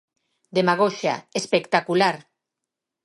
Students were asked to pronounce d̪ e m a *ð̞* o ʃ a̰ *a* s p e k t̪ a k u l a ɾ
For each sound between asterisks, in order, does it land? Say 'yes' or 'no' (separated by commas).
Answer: no, no